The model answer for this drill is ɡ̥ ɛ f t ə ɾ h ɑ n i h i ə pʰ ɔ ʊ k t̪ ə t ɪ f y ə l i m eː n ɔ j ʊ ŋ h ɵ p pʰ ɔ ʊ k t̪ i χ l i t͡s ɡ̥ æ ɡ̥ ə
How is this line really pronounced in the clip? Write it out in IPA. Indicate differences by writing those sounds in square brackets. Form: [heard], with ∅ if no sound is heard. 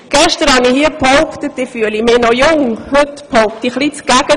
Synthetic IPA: ɡ̥ ɛ [ʃ] t ə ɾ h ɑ n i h i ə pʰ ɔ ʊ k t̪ ə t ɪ f y ə l i m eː n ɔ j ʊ ŋ h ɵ [t] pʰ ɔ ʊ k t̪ i χ l i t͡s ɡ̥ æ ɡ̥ ə